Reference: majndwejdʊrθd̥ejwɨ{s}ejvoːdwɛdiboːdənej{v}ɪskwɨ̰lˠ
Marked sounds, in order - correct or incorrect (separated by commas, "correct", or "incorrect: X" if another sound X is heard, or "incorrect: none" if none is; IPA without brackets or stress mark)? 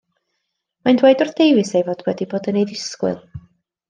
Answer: correct, incorrect: ð